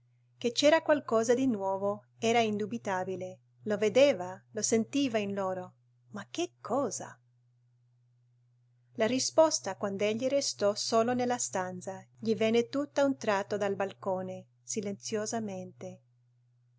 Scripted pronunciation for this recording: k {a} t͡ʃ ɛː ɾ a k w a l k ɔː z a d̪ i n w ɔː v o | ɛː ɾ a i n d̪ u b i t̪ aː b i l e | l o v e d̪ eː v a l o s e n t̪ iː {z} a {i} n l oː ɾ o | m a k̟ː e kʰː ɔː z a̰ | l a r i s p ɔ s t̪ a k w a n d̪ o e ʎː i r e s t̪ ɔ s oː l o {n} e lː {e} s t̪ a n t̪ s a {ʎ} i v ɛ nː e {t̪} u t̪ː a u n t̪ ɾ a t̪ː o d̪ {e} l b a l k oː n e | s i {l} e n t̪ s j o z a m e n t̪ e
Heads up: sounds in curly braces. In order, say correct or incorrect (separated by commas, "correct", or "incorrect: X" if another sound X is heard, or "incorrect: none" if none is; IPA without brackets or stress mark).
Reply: incorrect: e, incorrect: v, correct, correct, incorrect: a, correct, correct, incorrect: a, correct